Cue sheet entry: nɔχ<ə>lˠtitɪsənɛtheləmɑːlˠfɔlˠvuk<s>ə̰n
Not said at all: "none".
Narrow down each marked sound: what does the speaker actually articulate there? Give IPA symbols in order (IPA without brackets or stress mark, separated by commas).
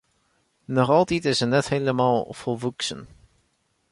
ɑ, s